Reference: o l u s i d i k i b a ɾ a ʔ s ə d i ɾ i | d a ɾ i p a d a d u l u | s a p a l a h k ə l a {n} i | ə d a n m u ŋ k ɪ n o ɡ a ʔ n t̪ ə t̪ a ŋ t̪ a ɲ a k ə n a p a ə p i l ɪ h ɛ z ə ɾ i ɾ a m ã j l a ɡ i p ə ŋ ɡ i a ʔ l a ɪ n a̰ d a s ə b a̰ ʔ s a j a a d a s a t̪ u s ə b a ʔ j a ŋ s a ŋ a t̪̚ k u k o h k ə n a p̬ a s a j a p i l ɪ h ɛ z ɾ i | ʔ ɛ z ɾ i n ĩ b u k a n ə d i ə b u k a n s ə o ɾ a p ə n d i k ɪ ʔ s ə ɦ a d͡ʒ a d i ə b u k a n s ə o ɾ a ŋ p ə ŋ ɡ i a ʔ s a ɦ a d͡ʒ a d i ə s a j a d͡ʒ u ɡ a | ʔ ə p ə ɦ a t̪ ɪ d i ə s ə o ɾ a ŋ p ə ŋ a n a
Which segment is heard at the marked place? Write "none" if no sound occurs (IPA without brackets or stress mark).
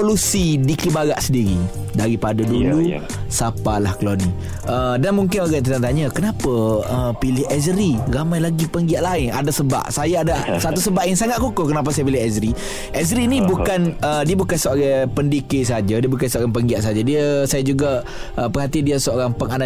n